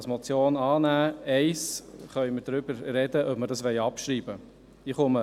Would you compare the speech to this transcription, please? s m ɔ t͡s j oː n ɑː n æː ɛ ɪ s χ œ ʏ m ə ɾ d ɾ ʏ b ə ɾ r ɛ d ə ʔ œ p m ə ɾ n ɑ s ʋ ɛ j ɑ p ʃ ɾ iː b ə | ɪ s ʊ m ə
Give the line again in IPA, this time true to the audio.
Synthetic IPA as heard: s m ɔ t͡s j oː n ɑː n æː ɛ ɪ s χ œ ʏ m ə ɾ d ɾ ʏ b ə ɾ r ɛ d ə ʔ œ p m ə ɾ d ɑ s ʋ ɛ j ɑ p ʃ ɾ iː b ə | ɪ χ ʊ m ə